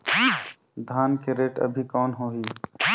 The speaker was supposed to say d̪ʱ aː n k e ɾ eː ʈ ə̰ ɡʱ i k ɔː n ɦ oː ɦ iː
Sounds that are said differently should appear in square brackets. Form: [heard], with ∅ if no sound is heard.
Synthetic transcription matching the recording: d̪ʱ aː n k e ɾ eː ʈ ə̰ [bʱ] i k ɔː n ɦ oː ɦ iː